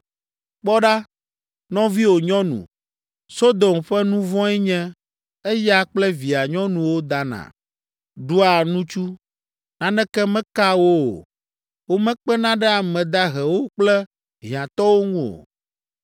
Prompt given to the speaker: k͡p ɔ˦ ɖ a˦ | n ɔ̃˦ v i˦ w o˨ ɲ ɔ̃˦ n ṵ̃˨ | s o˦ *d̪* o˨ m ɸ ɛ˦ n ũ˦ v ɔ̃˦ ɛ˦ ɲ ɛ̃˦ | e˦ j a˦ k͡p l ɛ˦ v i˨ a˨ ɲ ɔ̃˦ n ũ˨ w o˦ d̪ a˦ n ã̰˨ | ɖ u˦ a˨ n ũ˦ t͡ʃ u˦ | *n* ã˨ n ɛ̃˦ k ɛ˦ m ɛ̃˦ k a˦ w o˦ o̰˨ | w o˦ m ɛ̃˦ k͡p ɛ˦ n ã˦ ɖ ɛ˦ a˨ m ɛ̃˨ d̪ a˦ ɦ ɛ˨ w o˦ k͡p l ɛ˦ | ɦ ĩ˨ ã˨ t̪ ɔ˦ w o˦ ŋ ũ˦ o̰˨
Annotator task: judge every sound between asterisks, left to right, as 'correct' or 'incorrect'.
correct, correct

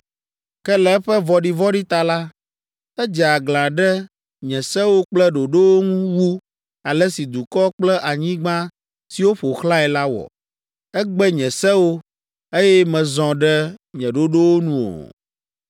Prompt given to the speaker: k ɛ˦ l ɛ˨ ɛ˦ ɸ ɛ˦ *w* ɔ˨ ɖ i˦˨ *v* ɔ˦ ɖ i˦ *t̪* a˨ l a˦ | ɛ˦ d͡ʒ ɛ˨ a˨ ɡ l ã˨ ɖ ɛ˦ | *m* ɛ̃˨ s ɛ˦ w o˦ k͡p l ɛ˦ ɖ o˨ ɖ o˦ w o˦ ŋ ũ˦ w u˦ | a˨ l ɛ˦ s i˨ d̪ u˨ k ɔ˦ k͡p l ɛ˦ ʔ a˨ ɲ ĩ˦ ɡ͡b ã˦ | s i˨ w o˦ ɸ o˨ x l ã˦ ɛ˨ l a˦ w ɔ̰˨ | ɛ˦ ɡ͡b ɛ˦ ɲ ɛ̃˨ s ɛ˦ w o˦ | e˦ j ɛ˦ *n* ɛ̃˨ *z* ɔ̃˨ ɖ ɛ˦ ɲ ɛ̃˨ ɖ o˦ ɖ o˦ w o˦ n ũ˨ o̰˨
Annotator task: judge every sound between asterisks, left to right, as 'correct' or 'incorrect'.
incorrect: v, correct, correct, incorrect: ɲ, incorrect: m, correct

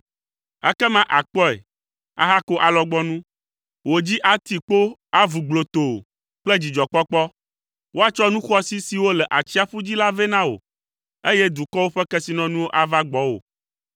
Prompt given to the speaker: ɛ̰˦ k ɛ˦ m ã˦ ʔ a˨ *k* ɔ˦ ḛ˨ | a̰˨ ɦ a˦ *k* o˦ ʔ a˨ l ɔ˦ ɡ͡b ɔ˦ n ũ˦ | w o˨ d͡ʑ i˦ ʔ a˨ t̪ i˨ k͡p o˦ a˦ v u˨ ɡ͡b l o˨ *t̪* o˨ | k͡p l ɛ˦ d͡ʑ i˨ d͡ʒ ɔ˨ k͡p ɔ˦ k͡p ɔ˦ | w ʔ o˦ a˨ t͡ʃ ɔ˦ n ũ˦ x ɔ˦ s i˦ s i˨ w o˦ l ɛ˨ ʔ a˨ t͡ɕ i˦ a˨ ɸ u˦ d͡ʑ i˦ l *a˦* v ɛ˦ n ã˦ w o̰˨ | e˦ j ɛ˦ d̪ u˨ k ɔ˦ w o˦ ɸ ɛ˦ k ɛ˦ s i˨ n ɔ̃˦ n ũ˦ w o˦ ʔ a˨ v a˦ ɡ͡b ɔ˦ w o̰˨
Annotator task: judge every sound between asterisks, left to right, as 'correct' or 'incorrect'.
incorrect: k͡p, correct, correct, correct

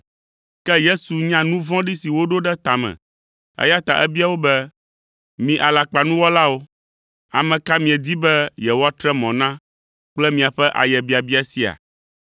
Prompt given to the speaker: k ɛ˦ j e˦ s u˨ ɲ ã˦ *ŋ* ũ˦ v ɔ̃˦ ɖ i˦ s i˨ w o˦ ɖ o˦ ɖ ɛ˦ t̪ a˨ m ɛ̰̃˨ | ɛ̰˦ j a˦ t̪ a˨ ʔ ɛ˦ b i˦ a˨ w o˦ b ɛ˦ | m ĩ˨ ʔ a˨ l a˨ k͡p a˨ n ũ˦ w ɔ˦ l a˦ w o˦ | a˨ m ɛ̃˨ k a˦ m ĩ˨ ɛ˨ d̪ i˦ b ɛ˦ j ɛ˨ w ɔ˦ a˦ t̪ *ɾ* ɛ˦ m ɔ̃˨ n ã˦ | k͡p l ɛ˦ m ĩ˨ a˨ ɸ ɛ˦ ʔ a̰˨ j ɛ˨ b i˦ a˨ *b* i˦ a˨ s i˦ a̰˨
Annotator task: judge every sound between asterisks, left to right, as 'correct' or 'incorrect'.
incorrect: n, correct, correct

